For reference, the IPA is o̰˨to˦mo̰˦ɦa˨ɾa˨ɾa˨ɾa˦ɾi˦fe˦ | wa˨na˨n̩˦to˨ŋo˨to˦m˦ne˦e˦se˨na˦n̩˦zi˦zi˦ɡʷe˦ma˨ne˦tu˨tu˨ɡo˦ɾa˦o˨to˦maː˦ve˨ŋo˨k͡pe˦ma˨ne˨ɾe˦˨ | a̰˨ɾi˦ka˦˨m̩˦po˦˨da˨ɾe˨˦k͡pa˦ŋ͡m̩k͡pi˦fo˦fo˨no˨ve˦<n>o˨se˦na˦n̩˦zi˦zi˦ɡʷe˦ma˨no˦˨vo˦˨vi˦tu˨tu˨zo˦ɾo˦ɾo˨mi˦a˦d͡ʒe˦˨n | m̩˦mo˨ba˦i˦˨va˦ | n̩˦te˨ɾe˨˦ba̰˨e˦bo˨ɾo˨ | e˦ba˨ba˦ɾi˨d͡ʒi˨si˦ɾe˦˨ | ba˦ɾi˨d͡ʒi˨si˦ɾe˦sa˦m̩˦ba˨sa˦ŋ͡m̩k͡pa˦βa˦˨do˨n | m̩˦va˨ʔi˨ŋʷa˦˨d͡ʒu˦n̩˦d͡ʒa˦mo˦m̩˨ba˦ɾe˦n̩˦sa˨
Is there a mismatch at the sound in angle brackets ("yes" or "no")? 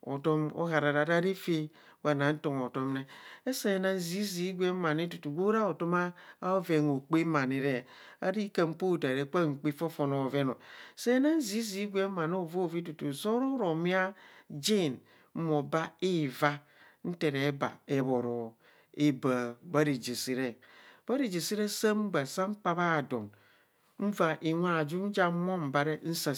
no